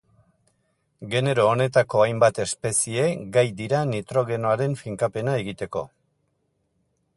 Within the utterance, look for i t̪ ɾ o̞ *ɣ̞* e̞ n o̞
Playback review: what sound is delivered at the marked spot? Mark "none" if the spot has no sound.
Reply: ɣ̞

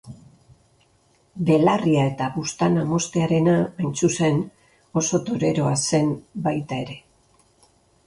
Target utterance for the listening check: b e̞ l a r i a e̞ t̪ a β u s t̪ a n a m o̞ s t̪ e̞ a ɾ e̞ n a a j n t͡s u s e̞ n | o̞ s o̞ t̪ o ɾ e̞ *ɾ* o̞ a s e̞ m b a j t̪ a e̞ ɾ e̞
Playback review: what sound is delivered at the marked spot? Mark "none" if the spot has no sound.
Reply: ɾ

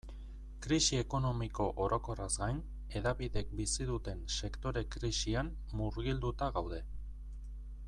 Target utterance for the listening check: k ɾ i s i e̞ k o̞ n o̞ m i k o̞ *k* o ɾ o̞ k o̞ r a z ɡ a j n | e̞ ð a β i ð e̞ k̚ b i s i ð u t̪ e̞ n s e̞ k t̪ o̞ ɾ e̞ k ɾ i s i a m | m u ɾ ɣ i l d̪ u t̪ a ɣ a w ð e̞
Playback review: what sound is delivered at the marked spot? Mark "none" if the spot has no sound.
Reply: ʔ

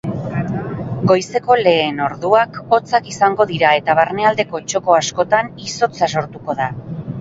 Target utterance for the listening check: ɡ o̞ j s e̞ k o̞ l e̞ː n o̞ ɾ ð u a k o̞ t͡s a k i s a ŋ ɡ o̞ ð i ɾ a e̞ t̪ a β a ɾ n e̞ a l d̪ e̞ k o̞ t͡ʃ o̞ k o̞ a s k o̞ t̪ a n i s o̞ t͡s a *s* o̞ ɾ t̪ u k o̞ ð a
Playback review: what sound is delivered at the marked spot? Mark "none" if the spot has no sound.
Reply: s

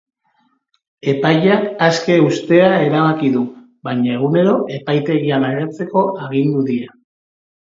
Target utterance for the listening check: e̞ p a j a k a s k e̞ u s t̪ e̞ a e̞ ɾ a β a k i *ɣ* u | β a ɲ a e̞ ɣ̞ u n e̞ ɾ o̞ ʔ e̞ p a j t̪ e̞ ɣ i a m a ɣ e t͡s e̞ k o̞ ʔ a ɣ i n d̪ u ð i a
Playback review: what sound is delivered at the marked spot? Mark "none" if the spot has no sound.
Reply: ð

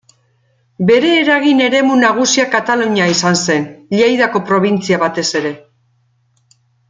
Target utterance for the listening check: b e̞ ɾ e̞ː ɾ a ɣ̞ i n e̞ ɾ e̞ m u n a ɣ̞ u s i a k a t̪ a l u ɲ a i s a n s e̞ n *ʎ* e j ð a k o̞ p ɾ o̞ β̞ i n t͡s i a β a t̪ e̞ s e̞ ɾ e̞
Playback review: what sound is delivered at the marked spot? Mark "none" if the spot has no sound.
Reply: ʎ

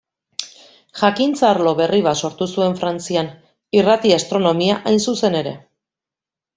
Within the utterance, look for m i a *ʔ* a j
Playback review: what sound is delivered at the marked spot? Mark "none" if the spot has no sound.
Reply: ʔ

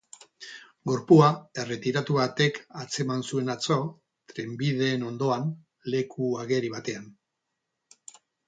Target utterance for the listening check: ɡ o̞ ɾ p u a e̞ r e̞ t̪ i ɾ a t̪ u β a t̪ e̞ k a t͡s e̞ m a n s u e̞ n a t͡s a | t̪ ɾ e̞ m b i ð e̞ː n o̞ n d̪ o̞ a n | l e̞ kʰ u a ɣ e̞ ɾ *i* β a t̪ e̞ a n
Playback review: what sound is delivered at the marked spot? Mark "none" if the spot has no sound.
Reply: i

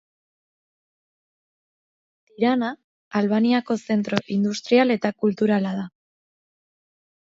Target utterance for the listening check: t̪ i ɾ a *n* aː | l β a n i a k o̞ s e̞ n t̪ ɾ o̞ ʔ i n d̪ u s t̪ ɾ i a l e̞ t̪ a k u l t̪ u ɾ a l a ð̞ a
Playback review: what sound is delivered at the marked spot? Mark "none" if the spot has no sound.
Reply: n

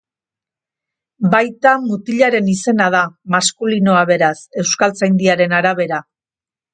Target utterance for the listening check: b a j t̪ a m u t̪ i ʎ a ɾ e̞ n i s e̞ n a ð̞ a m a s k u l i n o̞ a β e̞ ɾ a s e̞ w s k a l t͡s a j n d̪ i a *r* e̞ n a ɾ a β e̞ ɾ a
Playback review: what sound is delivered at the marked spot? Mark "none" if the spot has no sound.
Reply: ɾ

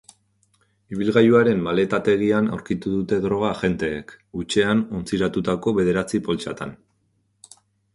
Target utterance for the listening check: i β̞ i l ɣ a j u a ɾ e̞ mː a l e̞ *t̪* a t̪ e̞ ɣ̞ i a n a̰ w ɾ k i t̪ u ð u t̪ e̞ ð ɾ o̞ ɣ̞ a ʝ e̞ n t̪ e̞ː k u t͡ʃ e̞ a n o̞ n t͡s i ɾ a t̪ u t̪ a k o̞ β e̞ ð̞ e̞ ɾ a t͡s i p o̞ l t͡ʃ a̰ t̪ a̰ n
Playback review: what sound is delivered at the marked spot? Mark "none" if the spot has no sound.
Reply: t̪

